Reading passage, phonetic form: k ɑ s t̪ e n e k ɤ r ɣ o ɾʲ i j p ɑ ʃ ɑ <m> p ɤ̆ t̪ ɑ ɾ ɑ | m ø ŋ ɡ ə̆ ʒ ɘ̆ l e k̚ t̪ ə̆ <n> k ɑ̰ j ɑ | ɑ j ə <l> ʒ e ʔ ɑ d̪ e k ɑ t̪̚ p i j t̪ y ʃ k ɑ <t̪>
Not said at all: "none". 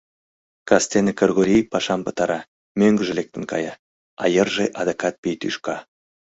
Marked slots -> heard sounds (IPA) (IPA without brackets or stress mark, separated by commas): m, n, r, none